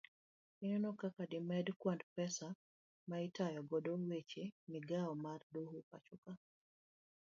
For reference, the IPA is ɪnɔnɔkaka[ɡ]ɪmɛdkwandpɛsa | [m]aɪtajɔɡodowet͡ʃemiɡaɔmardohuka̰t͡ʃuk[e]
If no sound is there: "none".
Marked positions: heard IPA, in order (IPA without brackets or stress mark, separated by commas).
d, m, a